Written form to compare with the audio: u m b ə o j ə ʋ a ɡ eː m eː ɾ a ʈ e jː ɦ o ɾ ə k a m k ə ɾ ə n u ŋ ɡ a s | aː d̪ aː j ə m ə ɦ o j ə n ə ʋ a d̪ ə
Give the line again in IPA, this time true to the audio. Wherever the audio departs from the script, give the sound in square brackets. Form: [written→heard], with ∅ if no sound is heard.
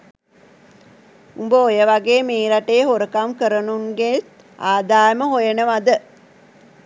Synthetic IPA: u m b ə o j ə ʋ a ɡ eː m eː ɾ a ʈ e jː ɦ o ɾ ə k a m k ə ɾ ə n u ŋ ɡ [a→e] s | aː d̪ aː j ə m ə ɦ o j ə n ə ʋ a d̪ ə